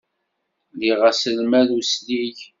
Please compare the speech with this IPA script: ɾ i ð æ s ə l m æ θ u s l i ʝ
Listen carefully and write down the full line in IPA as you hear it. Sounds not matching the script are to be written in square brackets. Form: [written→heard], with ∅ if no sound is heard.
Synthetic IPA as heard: [ɾ→l] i [ð→ʁ] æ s ə l m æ [θ→ð] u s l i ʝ